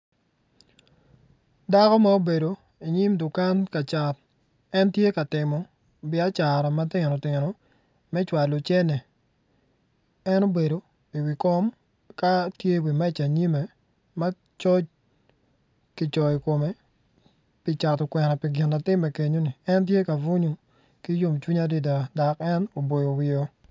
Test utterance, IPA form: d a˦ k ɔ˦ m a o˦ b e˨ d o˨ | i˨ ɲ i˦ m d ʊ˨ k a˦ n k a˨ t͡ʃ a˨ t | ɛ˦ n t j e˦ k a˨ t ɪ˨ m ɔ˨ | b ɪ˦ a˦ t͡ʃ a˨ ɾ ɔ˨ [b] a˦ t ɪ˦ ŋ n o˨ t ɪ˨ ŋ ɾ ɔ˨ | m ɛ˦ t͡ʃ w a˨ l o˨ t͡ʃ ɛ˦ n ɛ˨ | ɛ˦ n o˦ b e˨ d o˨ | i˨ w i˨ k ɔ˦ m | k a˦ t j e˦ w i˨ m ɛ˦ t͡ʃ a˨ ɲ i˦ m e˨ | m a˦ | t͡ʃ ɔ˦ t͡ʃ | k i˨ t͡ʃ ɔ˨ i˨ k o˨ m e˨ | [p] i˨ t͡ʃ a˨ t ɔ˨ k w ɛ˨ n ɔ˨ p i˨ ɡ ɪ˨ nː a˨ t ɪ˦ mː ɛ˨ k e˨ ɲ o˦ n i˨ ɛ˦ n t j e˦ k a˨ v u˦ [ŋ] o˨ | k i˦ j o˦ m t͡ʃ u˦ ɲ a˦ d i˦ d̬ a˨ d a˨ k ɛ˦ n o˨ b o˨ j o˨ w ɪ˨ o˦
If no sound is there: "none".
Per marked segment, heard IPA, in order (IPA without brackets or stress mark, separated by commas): m, p, ɲ